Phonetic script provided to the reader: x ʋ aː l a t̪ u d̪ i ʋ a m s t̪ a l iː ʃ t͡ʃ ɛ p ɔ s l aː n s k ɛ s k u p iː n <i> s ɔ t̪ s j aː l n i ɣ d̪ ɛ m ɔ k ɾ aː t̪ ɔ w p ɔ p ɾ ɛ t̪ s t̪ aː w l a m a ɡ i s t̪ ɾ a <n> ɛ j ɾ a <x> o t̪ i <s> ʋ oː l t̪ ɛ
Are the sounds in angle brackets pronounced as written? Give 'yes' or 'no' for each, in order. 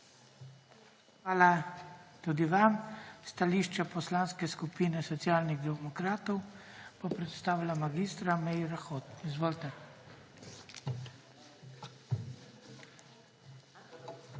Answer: no, no, yes, no

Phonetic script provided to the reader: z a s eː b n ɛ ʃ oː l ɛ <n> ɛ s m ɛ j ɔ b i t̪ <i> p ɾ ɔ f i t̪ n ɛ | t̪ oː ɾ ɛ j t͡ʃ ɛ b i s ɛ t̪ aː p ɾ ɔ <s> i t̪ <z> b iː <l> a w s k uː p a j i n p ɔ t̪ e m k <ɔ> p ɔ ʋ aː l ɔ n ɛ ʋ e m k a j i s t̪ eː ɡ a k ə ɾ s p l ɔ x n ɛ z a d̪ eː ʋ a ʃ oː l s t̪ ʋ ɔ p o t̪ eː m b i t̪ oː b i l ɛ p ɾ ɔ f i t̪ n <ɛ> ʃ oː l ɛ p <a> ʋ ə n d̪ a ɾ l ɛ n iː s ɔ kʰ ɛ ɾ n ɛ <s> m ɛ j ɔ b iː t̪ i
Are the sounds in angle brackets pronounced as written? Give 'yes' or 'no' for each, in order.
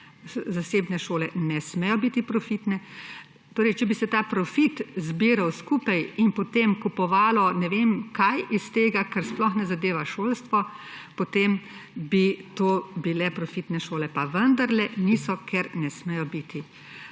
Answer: yes, yes, no, yes, no, no, yes, yes, yes

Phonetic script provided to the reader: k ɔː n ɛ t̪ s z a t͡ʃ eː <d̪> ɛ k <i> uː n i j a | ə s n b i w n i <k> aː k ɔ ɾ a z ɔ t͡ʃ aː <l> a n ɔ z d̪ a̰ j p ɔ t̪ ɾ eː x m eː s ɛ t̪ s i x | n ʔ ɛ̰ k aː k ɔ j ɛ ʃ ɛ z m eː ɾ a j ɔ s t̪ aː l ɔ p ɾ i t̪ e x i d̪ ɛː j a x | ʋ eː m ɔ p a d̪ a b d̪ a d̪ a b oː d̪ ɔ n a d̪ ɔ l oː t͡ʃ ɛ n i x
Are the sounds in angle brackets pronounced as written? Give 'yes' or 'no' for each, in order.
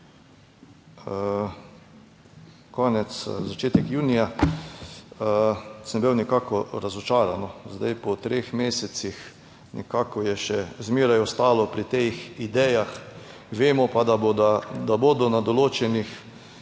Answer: no, no, yes, no

